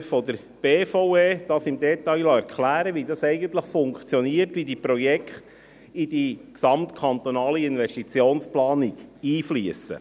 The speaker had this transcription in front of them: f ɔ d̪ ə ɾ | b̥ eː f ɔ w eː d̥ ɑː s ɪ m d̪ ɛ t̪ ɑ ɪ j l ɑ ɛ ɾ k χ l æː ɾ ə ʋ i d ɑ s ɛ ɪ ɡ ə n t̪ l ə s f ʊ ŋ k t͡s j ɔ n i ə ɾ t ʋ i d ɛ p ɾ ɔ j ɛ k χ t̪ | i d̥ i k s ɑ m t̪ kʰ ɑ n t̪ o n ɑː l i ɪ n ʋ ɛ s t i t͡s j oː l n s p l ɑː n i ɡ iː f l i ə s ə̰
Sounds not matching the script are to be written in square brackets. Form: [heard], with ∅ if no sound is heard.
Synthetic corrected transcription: f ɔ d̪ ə ɾ | b̥ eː f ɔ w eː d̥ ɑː s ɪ m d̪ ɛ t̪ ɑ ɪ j l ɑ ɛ ɾ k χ l æː ɾ ə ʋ i d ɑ s ɛ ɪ ɡ ə n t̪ l ə [χ] f ʊ ŋ k t͡s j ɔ n i ə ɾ t ʋ i d [i] p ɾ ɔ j ɛ k χ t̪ | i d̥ i k s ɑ m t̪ kʰ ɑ n t̪ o n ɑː l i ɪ n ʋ ɛ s t i t͡s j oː [∅] n s p l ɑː n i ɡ iː f l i ə s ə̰

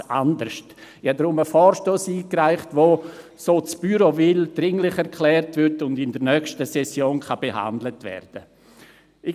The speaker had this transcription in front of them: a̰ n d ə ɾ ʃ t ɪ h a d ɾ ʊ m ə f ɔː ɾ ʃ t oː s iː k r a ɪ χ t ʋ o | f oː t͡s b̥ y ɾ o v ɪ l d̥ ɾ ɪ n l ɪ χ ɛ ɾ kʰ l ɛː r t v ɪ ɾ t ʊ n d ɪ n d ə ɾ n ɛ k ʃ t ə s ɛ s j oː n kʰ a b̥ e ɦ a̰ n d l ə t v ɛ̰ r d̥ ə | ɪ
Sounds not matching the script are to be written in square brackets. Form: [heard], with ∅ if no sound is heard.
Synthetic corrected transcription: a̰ n d ə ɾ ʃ t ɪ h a d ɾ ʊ m ə f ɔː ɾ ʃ t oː s iː k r a ɪ χ t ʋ o | [s] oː t͡s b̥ y ɾ o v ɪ l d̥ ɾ ɪ [ŋ] l ɪ χ ɛ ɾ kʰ l ɛː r t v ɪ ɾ t ʊ n d ɪ n d ə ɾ n [œ] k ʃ t ə s ɛ s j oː n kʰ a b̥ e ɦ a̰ n d l ə t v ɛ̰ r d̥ ə | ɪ

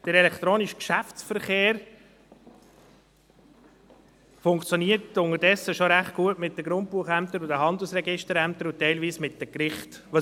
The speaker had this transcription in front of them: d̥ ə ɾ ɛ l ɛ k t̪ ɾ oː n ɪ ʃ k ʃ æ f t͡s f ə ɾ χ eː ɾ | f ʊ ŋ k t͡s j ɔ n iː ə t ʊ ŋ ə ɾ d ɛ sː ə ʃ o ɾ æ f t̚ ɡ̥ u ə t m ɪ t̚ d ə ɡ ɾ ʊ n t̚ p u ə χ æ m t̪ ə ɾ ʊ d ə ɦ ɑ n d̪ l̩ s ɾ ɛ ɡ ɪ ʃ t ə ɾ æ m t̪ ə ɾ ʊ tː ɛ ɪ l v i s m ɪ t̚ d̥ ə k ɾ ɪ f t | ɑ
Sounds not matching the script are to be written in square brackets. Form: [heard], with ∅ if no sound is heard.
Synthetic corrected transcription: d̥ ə ɾ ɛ l ɛ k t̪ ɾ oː n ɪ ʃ k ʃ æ f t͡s f ə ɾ χ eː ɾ | f ʊ ŋ k t͡s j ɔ n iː ə t ʊ ŋ ə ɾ d ɛ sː ə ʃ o ɾ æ [χ] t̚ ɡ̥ u ə t m ɪ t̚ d ə ɡ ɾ ʊ n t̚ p u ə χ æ m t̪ ə ɾ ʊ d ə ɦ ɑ n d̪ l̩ s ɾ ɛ ɡ ɪ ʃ t ə ɾ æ m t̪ ə ɾ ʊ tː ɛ ɪ l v [iː] s m ɪ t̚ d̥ ə k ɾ ɪ [χ] t | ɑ

